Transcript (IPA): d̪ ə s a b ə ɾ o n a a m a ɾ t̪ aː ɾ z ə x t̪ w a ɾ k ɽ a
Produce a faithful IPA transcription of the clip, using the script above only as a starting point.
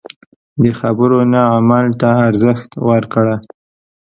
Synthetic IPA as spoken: d̪ ə x a b ə ɾ o n a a m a l t̪ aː ɾ z ə x t̪ w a ɾ k ɽ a